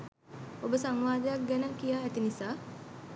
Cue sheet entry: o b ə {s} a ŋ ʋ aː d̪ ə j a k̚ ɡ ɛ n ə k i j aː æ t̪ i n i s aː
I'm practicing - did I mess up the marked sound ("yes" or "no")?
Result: no